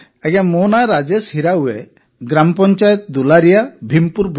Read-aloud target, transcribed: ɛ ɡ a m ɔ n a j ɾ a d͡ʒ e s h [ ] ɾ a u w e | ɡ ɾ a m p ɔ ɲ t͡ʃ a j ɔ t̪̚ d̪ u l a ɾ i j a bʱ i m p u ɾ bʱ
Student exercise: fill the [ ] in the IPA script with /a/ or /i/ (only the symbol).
i